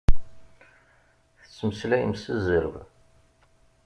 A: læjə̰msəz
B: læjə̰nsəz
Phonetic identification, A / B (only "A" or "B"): A